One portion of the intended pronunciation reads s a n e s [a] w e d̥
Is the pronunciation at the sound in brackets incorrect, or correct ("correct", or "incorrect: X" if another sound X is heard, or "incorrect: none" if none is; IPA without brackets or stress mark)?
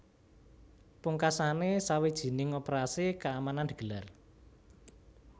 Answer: correct